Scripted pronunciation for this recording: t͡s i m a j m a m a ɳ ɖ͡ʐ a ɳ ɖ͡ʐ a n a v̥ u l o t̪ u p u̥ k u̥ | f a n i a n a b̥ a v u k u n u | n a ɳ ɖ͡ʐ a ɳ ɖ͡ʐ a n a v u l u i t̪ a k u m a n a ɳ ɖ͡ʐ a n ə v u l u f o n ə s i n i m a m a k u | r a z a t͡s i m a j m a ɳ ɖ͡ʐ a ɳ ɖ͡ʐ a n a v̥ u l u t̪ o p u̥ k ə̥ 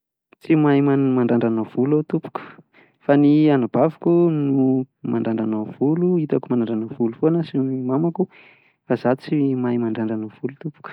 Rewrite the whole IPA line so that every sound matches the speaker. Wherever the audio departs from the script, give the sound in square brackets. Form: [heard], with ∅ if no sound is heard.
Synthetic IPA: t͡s i m a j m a m a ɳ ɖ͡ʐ a ɳ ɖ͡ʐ a n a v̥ u l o t̪ u p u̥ k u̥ | f a n i a n a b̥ a v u k u n u | [m] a ɳ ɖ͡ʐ a ɳ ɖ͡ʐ a n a v u l u i t̪ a k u m a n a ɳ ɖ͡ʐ a n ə v u l u f o n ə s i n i m a m a k u | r a z a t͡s i m a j m a ɳ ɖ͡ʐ a ɳ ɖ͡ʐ a n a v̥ u l u t̪ [u] p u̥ k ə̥